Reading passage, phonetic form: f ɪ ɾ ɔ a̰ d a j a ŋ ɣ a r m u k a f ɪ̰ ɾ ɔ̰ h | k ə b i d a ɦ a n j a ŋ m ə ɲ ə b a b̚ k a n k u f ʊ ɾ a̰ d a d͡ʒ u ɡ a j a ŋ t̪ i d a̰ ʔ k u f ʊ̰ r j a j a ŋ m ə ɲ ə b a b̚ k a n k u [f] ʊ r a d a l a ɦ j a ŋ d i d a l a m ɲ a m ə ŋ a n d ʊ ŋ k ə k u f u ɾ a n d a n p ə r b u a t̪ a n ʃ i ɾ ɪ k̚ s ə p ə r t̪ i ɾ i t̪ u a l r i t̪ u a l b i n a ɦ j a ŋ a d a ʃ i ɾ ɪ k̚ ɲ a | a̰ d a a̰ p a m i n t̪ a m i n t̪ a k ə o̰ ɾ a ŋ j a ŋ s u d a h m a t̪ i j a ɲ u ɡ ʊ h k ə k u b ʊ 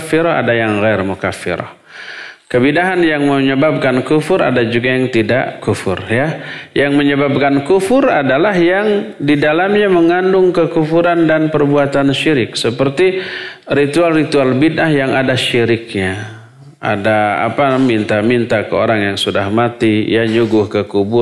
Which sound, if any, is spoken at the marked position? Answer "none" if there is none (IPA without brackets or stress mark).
f